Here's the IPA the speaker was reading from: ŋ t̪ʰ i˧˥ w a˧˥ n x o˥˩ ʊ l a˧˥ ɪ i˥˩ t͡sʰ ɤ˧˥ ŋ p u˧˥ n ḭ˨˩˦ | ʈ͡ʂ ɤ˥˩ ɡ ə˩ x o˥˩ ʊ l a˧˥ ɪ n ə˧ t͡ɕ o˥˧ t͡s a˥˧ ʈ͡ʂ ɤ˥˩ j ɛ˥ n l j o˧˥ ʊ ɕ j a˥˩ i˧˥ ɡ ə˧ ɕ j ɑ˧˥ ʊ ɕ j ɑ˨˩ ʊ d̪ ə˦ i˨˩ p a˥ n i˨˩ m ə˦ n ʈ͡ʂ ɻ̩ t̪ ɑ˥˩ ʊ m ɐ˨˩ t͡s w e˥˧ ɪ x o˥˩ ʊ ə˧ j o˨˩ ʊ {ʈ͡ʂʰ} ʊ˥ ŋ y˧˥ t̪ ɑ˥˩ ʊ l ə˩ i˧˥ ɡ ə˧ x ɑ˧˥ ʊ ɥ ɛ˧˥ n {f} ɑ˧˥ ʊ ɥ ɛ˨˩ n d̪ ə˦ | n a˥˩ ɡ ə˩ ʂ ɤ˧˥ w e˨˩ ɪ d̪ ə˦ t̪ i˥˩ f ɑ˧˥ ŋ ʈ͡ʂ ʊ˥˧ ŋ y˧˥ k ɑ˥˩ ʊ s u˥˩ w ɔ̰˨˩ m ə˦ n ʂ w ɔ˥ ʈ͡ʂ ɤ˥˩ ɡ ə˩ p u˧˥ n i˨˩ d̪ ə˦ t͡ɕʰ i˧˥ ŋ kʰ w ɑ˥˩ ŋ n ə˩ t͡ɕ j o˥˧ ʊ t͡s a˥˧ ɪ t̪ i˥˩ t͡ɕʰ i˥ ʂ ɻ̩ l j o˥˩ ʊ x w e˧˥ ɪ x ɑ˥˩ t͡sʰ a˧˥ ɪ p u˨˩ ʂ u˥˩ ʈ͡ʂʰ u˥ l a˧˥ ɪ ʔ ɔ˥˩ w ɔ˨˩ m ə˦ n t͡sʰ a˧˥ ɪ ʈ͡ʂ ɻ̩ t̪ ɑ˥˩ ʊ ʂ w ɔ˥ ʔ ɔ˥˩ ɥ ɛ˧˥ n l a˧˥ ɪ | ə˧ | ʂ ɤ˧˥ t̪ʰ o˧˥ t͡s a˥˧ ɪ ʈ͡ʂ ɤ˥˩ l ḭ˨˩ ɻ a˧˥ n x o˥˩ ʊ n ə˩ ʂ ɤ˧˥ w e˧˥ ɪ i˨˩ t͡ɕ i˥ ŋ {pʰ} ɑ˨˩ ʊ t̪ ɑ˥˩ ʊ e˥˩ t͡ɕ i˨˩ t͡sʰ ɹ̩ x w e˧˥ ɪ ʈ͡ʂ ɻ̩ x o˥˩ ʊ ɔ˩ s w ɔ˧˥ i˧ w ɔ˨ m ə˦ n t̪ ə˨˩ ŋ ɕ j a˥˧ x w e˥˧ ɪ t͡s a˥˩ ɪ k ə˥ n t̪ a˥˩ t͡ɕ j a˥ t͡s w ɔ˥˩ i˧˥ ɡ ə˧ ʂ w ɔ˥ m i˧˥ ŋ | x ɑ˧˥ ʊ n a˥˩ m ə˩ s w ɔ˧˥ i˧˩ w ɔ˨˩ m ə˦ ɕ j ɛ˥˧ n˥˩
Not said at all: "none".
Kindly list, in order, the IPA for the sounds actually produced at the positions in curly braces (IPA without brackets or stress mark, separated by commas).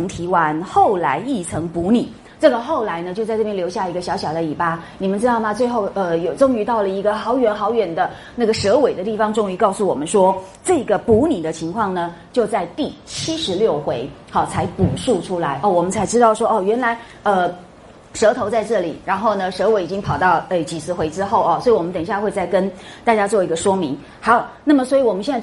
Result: ʈ͡ʂ, x, pʰ